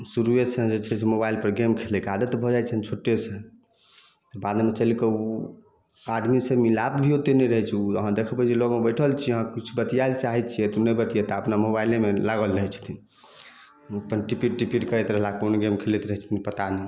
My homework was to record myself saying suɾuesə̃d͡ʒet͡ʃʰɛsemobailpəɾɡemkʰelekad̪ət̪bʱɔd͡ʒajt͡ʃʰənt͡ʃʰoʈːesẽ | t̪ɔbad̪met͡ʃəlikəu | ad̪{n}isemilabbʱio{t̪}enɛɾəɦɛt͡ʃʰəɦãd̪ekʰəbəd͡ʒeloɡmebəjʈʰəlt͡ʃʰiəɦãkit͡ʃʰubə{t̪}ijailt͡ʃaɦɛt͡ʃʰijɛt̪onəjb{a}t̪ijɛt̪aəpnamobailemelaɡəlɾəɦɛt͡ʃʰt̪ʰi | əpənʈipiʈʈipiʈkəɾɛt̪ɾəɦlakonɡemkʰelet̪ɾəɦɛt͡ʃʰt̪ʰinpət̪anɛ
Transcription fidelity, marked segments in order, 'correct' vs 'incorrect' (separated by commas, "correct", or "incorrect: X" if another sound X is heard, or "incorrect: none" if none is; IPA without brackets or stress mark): incorrect: m, correct, correct, incorrect: ə